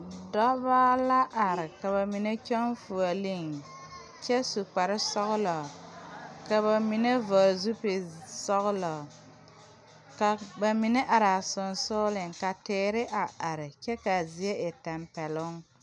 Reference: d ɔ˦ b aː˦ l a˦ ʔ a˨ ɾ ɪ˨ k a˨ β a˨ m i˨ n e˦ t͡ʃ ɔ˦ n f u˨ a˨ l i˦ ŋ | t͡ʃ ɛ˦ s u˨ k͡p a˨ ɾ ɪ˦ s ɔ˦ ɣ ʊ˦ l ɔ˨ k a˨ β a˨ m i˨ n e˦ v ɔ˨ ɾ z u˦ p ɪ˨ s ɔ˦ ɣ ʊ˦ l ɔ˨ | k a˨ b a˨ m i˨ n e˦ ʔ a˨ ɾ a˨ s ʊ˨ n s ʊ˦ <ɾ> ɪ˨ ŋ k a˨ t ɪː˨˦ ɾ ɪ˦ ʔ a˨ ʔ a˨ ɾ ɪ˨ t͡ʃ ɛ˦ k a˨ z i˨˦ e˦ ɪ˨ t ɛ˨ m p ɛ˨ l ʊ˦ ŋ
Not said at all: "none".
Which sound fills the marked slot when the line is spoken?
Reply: l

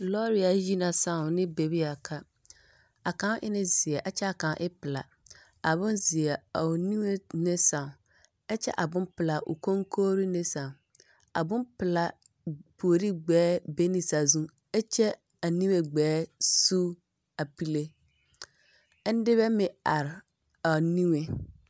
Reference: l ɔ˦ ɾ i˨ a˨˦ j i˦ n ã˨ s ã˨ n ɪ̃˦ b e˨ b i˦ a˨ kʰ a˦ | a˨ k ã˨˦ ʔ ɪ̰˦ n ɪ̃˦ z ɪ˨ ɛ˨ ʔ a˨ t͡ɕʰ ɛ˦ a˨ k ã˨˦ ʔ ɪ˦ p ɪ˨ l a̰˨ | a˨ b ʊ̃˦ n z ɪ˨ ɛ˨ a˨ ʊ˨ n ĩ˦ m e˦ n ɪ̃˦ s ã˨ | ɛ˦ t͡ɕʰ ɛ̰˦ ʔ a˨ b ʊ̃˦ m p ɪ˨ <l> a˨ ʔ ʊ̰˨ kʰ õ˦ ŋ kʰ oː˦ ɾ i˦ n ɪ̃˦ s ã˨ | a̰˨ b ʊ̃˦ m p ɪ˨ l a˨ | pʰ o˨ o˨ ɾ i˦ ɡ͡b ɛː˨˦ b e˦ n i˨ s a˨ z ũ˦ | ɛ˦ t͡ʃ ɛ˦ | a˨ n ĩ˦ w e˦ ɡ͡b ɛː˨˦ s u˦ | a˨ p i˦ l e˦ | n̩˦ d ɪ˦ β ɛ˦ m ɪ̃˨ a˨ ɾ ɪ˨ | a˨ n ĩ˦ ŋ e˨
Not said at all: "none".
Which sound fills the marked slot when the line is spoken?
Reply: l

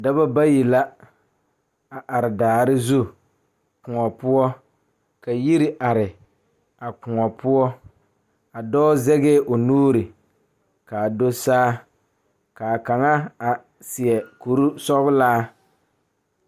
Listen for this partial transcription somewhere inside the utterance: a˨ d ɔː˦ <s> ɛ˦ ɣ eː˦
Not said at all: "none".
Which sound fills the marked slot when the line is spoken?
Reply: z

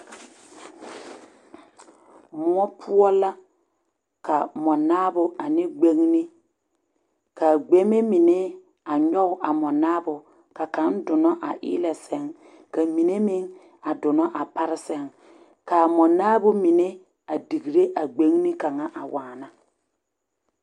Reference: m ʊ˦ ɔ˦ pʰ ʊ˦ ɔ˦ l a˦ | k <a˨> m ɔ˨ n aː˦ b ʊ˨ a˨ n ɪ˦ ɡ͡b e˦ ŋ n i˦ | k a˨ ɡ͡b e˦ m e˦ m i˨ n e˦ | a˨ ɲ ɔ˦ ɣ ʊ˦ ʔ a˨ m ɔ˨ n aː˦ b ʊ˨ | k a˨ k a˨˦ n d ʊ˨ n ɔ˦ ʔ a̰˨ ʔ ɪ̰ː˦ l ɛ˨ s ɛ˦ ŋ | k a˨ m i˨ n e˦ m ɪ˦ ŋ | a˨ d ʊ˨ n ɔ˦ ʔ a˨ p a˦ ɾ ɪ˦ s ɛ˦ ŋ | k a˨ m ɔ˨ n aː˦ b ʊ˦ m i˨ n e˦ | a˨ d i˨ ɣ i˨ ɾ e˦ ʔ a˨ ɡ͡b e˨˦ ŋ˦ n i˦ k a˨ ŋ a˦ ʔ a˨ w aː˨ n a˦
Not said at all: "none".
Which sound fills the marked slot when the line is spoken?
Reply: a˨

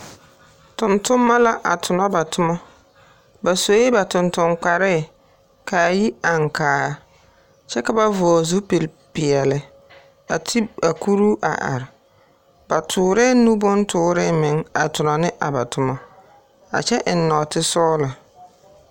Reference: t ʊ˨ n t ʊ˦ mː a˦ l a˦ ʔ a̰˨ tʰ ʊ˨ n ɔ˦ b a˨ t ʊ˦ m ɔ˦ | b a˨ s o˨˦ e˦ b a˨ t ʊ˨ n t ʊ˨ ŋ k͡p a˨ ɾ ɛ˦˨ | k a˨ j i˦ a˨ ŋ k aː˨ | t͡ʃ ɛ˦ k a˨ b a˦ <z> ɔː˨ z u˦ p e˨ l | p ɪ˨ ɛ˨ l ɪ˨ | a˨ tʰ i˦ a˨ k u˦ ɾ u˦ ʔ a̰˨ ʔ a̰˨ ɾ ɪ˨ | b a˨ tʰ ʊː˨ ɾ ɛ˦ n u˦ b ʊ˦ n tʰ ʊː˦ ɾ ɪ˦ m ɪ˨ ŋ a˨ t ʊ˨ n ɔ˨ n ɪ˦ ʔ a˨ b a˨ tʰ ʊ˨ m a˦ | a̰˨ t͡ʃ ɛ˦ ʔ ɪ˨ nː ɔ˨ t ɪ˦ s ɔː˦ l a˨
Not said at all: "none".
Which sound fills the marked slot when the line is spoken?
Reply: v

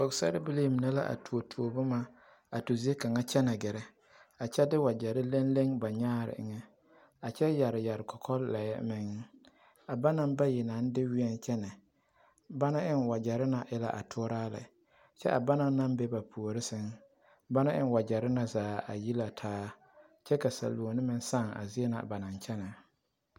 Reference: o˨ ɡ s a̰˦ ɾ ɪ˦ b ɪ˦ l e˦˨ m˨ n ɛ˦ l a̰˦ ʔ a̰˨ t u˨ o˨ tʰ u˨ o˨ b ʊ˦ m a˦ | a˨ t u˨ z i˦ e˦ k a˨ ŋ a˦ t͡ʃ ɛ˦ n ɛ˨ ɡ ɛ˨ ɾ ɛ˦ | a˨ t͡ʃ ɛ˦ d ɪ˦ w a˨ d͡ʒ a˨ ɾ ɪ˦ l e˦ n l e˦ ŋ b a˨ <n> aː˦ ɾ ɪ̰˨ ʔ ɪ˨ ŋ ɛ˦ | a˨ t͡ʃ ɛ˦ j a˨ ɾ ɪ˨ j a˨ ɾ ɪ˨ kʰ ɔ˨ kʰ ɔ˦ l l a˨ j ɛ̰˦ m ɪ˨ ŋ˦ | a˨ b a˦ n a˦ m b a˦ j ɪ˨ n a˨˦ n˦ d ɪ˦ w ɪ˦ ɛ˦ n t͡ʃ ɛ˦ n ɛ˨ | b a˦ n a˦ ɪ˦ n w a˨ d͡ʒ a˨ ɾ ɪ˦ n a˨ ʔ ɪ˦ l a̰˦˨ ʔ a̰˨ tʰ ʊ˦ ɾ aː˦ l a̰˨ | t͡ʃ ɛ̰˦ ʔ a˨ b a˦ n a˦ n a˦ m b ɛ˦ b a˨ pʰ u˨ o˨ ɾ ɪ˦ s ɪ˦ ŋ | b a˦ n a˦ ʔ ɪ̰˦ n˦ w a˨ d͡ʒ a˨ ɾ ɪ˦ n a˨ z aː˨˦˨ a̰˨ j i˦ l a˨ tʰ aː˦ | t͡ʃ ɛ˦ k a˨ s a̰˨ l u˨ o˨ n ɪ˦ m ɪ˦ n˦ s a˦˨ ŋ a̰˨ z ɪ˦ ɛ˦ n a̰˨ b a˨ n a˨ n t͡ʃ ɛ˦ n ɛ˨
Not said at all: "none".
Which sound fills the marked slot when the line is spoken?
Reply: ɲ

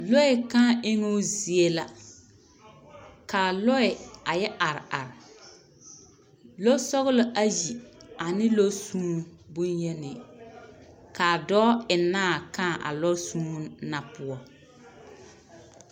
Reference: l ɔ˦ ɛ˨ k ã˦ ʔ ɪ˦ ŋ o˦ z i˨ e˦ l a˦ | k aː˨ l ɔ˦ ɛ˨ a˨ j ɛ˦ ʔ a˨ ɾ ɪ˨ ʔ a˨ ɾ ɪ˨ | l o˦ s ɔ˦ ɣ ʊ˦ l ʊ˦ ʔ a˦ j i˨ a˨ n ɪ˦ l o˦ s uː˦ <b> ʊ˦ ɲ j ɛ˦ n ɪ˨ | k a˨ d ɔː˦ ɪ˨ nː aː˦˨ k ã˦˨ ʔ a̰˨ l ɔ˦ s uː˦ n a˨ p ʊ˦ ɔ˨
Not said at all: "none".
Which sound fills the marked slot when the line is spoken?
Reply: b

